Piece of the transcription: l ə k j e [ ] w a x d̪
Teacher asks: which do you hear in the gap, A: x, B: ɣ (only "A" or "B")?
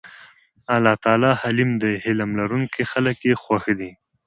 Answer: A